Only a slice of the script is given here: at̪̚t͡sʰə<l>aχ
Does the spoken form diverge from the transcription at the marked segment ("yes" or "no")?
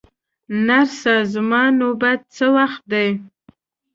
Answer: no